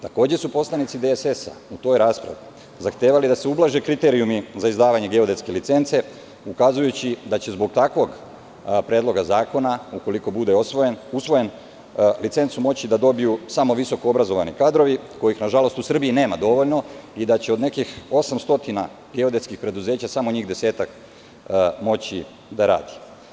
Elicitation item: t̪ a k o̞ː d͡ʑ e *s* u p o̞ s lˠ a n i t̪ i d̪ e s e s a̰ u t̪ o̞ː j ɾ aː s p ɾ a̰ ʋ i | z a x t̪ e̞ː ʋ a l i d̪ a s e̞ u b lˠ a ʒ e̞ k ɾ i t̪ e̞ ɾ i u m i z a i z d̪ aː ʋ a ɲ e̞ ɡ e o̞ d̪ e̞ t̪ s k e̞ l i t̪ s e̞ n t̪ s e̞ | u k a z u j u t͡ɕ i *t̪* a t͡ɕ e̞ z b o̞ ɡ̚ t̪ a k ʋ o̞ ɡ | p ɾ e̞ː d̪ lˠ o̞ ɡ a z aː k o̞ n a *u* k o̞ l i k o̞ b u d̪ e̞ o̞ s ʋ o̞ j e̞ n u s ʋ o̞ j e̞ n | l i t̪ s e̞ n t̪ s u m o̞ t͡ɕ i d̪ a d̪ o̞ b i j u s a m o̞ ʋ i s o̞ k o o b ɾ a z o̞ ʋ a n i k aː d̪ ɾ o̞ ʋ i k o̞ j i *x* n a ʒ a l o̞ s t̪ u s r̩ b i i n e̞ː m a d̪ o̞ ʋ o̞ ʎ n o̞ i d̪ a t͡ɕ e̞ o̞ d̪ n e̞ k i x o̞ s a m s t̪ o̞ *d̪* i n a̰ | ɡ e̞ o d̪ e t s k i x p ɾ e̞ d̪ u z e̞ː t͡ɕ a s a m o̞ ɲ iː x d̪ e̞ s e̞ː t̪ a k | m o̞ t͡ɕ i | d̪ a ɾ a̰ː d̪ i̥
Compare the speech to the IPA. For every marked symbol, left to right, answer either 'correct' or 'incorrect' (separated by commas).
correct, incorrect, correct, correct, incorrect